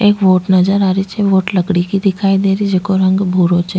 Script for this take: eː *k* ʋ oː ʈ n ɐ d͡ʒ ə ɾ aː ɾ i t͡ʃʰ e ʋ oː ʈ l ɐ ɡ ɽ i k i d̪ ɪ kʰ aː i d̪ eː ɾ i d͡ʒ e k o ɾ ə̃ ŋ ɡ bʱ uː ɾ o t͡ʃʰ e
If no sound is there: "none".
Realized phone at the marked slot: k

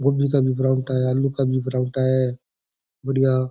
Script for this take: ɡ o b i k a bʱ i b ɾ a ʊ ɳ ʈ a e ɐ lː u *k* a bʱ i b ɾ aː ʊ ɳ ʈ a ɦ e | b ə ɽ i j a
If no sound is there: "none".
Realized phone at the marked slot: k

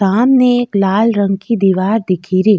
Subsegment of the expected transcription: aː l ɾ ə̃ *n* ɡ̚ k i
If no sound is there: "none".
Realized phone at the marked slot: ŋ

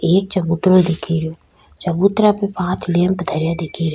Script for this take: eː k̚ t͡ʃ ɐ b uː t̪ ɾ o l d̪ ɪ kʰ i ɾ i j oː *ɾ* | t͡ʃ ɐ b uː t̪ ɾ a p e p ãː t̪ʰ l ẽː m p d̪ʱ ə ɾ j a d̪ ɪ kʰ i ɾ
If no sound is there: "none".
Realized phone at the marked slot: none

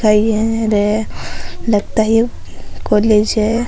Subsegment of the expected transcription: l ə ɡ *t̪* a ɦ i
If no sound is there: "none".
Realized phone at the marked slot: t̪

